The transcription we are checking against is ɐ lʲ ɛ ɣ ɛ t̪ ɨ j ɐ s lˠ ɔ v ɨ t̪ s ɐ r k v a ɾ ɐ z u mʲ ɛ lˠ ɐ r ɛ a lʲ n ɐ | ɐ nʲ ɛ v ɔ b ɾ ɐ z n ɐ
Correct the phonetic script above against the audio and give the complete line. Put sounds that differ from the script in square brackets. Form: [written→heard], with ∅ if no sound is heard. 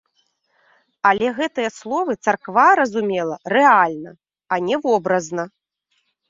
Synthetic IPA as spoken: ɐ lʲ ɛ ɣ ɛ t̪ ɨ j ɐ s lˠ ɔ v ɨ t̪ s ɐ r k v a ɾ ɐ z u mʲ ɛ lˠ ɐ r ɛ a lʲ n ɐ | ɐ nʲ ɛ v ɔ b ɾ ɐ z n ɐ